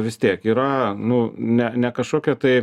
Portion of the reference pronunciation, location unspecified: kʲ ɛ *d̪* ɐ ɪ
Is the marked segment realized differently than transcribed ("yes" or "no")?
yes